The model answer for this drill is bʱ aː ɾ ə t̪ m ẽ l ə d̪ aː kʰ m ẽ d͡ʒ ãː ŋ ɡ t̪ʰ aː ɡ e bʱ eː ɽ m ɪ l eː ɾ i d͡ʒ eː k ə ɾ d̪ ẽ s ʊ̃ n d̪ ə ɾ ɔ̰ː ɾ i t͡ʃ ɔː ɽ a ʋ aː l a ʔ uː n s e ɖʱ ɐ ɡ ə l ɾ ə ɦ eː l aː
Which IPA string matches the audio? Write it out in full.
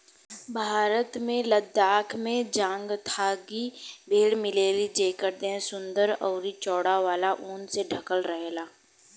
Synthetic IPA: bʱ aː ɾ ə t̪ m ẽ l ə d̪ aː kʰ m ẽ d͡ʒ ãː ŋ ɡ t̪ʰ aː ɡ i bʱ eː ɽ m ɪ l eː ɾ i d͡ʒ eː k ə ɾ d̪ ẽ s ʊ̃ n d̪ ə ɾ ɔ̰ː ɾ i t͡ʃ ɔː ɽ a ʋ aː l a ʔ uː n s e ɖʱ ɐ k ə l ɾ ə ɦ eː l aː